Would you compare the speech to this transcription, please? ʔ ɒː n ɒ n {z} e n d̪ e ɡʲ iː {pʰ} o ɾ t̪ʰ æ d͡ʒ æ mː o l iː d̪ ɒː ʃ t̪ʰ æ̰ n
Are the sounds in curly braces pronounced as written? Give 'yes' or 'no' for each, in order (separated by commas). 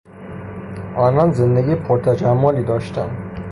yes, yes